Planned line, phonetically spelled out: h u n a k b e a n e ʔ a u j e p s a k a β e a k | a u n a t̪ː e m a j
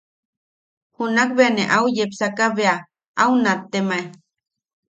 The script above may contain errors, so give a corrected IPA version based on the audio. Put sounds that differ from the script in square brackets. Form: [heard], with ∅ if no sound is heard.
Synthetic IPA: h u n a k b e a n e ʔ a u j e p s a k a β e a [∅] | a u n a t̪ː e m a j